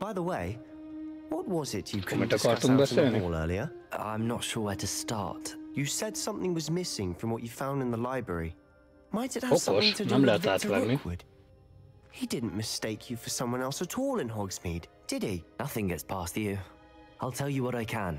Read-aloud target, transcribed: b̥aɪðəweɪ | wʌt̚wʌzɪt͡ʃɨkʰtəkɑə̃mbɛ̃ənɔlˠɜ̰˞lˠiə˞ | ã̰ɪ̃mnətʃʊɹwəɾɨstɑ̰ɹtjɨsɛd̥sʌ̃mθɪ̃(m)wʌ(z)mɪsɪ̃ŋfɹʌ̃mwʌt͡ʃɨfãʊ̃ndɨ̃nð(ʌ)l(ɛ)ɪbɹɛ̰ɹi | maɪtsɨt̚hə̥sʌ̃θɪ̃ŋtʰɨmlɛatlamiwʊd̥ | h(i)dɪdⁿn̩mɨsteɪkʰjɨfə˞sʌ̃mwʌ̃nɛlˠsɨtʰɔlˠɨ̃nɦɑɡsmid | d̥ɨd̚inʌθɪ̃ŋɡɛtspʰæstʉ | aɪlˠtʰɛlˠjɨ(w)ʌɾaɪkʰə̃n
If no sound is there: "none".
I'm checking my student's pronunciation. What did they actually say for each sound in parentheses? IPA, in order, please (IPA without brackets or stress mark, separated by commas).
ŋ, z, ə, a, i, w